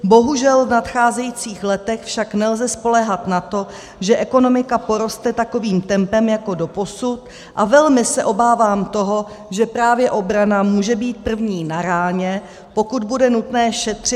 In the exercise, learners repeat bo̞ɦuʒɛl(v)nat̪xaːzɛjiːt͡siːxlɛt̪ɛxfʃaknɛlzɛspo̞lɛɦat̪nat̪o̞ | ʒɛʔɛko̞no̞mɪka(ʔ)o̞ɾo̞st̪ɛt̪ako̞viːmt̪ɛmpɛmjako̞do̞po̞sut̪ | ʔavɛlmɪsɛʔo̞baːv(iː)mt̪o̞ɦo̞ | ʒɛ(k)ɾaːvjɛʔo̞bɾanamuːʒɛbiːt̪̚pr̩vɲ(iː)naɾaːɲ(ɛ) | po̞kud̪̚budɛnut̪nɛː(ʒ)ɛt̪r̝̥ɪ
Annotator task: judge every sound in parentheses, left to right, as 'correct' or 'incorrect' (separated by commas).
correct, incorrect, incorrect, incorrect, correct, correct, incorrect